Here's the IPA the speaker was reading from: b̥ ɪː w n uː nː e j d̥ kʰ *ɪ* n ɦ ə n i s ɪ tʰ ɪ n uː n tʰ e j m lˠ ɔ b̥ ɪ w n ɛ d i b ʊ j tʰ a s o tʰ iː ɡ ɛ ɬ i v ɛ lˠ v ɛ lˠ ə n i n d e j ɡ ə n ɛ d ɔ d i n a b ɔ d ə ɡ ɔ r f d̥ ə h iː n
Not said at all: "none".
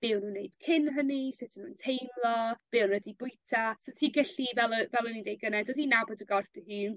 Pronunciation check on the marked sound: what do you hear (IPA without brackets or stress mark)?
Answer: ɪ